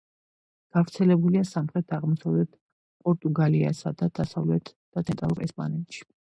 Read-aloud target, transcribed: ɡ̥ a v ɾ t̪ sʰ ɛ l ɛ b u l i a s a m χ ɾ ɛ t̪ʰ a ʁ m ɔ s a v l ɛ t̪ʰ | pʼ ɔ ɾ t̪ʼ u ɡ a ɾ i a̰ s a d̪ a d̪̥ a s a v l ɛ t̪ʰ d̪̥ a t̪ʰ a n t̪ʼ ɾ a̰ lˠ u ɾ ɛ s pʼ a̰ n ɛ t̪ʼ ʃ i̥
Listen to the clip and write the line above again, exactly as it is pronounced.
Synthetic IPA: ɡ̥ a v ɾ t̪ sʰ ɛ l ɛ b u l i a s a m χ ɾ ɛ t̪ʰ a ʁ m ɔ s a v l ɛ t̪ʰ | pʼ ɔ ɾ t̪ʼ u ɡ a l i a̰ s a d̪ a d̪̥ a s a v l ɛ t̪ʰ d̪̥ a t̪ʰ ɛ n t̪ʼ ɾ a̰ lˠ u ɾ ɛ s pʼ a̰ n ɛ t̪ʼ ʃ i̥